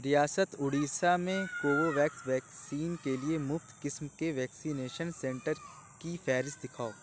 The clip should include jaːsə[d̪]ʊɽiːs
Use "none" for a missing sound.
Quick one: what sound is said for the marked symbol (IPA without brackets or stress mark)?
t̪